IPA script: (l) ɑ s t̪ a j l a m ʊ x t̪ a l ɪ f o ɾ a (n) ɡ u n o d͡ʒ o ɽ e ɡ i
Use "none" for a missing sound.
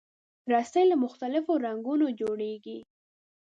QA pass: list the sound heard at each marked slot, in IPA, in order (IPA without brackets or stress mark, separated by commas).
ɾ, ŋ